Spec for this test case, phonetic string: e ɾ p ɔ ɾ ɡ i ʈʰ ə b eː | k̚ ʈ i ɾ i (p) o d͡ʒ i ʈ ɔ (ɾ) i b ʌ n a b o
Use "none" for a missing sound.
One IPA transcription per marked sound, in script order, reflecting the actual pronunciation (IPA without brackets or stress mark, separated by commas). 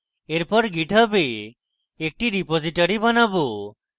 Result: p, ɾ